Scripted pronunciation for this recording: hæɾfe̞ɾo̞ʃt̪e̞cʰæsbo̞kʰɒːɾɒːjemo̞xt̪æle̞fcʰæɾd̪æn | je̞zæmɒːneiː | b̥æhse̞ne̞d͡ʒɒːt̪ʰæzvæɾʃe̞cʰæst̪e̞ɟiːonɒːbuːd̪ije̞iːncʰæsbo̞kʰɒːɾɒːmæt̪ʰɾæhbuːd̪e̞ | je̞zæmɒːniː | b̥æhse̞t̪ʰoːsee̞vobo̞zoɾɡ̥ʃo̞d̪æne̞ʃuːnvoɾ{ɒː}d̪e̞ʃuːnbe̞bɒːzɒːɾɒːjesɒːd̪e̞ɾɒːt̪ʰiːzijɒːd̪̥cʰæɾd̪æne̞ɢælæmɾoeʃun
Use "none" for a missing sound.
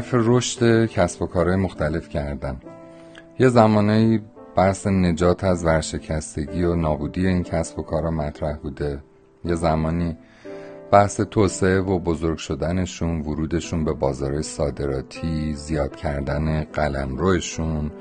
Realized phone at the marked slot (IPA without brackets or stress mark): uː